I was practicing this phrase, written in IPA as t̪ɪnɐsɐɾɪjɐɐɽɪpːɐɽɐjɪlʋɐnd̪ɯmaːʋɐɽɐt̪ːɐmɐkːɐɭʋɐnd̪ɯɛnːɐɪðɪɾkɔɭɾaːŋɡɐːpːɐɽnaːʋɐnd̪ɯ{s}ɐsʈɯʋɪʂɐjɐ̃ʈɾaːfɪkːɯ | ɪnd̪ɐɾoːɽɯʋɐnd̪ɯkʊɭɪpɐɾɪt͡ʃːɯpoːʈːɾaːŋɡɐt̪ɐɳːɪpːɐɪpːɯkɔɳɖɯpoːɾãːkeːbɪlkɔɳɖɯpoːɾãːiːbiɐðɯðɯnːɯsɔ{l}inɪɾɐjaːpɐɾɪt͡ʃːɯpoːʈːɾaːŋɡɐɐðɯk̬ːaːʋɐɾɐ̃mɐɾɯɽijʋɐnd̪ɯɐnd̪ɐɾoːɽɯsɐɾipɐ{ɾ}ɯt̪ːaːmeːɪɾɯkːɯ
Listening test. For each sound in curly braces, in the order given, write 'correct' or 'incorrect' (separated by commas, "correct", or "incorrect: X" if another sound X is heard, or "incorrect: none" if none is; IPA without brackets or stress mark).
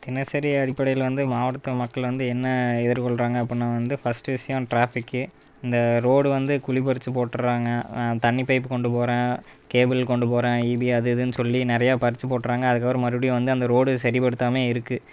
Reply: incorrect: f, incorrect: lː, incorrect: ɽ